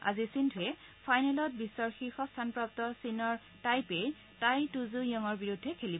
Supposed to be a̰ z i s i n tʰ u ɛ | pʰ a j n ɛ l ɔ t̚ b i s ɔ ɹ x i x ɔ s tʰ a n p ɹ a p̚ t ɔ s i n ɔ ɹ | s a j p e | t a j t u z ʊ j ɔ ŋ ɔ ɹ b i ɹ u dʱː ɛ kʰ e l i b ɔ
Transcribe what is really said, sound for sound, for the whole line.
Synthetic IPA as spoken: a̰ z i s i n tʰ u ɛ | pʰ a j n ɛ l ɔ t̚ b i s ɔ ɹ x i x ɔ s tʰ a n p ɹ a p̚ t ɔ s i n ɔ ɹ | t a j p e | t a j t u z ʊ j ɔ ŋ ɔ ɹ b i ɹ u dʱː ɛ kʰ e l i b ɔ

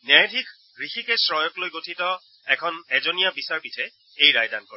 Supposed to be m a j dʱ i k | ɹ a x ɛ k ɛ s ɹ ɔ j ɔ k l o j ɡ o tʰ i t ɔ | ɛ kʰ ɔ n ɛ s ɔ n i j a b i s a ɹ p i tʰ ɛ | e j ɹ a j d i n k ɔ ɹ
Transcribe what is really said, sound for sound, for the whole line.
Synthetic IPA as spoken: n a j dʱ i k | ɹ i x i k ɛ s ɹ ɔ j ɔ k l o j ɡ o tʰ i t ɔ | ɛ kʰ ɔ n ɛ z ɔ n i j a b i s a ɹ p i tʰ ɛ | e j ɹ a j d a n k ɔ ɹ

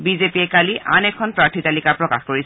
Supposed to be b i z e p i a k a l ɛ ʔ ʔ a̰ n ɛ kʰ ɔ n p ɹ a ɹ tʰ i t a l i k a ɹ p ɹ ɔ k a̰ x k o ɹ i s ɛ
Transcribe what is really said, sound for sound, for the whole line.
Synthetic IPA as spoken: b i z e p i ɛ k a l i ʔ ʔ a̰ n ɛ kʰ ɔ n p ɹ a ɹ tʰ i t a l i k a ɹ p ɹ ɔ k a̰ x k o ɹ i s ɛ

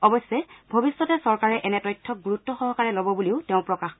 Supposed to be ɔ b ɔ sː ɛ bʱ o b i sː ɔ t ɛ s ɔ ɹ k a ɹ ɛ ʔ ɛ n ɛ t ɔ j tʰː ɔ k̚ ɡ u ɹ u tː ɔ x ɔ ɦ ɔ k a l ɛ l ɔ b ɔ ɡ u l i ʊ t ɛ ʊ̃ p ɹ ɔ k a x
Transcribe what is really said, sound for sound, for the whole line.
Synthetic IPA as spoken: ɔ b ɔ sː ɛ bʱ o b i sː ɔ t ɛ s ɔ ɹ k a ɹ ɛ ʔ ɛ n ɛ t ɔ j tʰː ɔ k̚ ɡ u ɹ u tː ɔ x ɔ ɦ ɔ k a ɹ ɛ l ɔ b ɔ b u l i ʊ t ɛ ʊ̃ p ɹ ɔ k a x

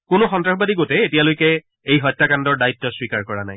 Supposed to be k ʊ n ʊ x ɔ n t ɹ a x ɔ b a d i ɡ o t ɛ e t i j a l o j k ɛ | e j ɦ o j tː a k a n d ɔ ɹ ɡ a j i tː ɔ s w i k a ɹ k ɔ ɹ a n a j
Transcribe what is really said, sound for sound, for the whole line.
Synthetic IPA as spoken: k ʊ n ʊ x ɔ n t ɹ a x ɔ b a d i ɡ o t ɛ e t i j a l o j k ɛ | e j ɦ ɔ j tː a k a n d ɔ ɹ d a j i tː ɔ s w i k a ɹ k ɔ ɹ a n a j

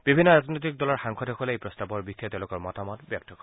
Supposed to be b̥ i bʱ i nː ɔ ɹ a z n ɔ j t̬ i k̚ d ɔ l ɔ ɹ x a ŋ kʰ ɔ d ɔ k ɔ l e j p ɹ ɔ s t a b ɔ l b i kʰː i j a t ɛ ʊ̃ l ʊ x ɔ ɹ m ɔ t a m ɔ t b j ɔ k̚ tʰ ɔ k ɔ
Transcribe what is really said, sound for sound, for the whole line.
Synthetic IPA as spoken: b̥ i bʱ i nː ɔ ɹ a z n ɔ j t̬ i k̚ d ɔ l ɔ ɹ x a ŋ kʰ ɔ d ɔ k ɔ l e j p ɹ ɔ s t a b ɔ ɹ b i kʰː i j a t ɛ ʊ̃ l ʊ k ɔ ɹ m ɔ t a m ɔ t b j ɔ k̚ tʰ ɔ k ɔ

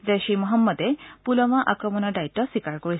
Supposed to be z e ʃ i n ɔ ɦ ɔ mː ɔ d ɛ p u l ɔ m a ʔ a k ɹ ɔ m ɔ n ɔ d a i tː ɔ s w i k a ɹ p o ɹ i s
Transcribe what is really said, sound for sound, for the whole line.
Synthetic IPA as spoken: z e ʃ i m ɔ ɦ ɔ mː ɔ d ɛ p u l ɔ m a ʔ a k ɹ ɔ m ɔ n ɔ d a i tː ɔ s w i k a ɹ k o ɹ i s

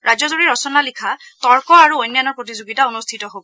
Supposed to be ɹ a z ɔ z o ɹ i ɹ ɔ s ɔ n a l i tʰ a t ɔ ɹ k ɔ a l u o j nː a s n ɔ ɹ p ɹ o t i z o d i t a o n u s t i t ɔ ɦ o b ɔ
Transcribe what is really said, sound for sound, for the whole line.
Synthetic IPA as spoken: ɹ a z ɔ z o ɹ i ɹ ɔ s ɔ n a l i kʰ a t ɔ ɹ k ɔ a ɹ u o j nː a n ɔ ɹ p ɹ o t i z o ɡ i t a o n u s tʰ i t ɔ ɦ o b ɔ

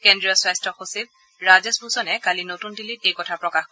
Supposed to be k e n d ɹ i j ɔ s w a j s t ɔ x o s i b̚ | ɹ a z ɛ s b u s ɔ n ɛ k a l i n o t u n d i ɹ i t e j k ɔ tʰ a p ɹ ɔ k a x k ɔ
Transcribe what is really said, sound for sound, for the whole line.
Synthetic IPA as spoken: k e n d ɹ i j ɔ s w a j s t ɔ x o s i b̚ | ɹ a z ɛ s b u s ɔ n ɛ k a l i n o t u n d i l i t e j k ɔ tʰ a p ɹ ɔ k a x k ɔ

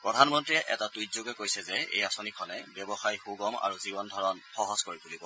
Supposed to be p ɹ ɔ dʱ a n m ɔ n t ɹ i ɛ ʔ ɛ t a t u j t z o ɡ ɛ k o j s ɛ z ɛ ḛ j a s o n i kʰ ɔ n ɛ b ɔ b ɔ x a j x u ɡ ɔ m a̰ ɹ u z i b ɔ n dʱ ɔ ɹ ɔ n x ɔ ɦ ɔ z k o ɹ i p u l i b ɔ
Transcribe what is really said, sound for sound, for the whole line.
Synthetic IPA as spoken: p ɹ ɔ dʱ a n m ɔ n t ɹ i ɛ ʔ ɛ t a t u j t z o ɡ ɛ k o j s ɛ z ɛ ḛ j a s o n i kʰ ɔ n ɛ b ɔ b ɔ x a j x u ɡ ɔ m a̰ ɹ u z i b ɔ n dʱ ɔ ɹ ɔ n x ɔ ɦ ɔ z k o ɹ i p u l i b ɔ

